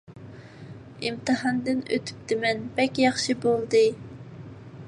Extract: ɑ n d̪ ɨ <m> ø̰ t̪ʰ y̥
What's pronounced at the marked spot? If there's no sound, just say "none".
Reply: n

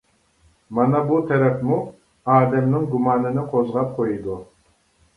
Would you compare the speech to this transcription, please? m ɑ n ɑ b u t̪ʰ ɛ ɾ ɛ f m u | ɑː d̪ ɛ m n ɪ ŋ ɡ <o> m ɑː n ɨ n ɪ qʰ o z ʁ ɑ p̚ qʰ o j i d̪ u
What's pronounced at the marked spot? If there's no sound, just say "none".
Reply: u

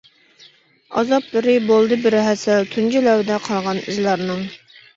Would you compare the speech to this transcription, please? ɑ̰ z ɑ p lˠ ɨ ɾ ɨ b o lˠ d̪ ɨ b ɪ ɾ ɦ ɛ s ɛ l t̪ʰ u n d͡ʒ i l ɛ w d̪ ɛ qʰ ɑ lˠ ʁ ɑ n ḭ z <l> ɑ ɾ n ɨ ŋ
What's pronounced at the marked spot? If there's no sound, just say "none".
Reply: l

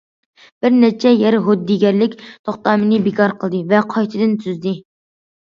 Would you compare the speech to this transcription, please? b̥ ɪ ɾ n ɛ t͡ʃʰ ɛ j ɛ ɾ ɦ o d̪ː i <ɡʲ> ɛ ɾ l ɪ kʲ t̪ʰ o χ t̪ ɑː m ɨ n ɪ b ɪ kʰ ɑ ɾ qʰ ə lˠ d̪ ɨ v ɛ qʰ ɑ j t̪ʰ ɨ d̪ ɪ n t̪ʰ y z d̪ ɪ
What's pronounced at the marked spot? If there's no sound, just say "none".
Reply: ɡʲ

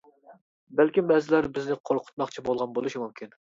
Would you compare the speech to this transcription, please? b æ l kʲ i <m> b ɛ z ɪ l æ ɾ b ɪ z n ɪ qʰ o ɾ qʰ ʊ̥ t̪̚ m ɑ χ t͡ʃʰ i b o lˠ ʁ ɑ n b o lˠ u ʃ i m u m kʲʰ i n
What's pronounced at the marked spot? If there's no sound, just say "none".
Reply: m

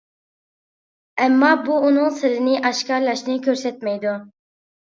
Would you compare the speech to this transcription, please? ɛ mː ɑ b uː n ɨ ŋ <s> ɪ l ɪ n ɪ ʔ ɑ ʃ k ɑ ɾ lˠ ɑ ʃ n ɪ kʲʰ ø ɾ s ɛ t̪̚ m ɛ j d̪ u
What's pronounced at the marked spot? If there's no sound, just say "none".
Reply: s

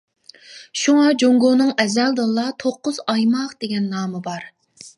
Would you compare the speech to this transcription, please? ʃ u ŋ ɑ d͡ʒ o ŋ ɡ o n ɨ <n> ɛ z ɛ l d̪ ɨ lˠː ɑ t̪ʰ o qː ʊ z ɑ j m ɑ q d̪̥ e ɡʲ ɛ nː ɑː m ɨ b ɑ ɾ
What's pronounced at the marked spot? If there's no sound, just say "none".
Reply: ŋ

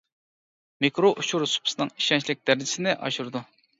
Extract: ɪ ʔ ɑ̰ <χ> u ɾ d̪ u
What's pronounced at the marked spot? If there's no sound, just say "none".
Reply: ʃ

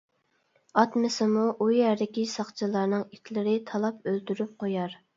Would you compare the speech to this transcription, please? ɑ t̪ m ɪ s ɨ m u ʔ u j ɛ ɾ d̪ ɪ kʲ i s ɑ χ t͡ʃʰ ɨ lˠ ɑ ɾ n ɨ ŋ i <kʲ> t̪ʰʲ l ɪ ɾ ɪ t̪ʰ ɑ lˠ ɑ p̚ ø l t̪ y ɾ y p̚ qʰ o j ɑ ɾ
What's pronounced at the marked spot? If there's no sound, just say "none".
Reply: none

